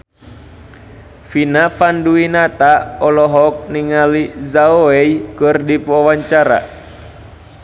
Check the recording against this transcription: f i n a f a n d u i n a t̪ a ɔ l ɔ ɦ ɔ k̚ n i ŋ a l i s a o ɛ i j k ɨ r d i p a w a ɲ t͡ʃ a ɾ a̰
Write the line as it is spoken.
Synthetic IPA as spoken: f i n a f a n d u i n a t̪ a ɔ l ɔ ɦ ɔ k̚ n i ŋ a l i z a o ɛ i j k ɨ r d i p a w a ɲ t͡ʃ a ɾ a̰